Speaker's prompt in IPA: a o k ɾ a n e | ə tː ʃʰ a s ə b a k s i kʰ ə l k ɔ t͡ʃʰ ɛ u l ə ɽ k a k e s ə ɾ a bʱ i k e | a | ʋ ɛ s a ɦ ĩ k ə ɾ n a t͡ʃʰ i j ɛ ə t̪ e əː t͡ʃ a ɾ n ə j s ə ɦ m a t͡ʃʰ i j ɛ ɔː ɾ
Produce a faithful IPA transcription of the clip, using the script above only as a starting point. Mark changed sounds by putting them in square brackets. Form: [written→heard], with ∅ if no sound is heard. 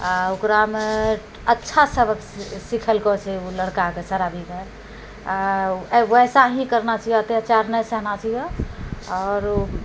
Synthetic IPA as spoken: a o k ɾ a [n→m] e | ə tː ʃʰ a s ə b [a→ə] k s i kʰ ə l k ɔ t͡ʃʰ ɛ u l ə ɽ k a k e s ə ɾ a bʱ i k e | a | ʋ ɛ s a ɦ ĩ k ə ɾ n a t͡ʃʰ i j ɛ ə t̪ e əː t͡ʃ a ɾ n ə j s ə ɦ [m→n] a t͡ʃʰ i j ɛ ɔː ɾ